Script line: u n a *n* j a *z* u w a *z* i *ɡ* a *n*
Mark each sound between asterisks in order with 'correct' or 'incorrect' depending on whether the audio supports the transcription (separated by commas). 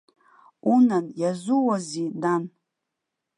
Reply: correct, correct, correct, incorrect, correct